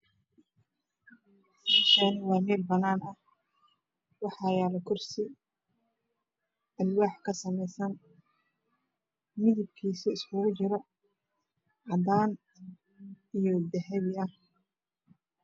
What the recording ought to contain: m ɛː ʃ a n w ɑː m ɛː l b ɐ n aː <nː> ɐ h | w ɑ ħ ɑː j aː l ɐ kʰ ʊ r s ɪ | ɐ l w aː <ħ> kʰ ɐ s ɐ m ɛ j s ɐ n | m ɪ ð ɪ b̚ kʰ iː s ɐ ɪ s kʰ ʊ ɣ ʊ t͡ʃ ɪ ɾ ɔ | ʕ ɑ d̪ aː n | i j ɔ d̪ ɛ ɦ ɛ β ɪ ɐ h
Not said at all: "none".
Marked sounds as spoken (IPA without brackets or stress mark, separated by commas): n, ħ